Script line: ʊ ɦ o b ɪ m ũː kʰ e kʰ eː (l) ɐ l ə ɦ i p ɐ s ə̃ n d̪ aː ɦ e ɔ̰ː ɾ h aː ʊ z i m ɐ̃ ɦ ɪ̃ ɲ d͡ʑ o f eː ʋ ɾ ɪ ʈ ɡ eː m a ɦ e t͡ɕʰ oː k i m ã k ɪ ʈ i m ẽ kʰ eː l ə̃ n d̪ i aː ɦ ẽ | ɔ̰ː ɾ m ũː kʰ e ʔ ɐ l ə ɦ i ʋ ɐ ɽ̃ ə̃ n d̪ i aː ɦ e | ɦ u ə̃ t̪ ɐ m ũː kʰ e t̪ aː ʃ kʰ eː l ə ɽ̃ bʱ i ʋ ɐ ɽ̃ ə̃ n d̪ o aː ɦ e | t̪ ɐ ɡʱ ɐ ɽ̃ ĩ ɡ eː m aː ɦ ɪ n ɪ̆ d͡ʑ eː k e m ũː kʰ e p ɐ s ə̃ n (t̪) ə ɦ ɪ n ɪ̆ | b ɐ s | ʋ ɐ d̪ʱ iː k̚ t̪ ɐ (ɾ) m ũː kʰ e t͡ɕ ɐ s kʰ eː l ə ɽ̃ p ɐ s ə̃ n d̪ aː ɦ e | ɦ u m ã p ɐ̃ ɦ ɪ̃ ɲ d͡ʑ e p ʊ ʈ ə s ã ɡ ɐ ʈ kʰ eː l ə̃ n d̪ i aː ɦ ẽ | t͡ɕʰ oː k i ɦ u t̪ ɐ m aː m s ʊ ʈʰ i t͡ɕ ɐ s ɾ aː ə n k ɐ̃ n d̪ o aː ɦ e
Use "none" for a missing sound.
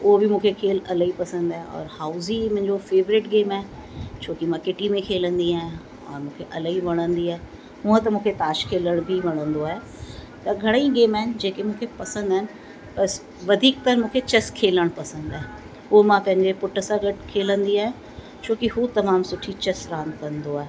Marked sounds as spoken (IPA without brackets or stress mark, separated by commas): l, d̪, ɾ